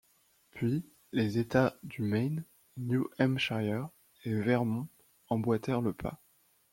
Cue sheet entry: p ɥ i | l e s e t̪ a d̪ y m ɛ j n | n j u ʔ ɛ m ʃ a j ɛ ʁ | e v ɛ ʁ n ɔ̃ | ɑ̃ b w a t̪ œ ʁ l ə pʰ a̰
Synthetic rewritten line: p ɥ i | l e z e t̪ a d̪ y m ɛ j n | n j u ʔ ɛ m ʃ a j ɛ ʁ | e v ɛ ʁ m ɔ̃ | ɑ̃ b w a t̪ ɛ ʁ l ə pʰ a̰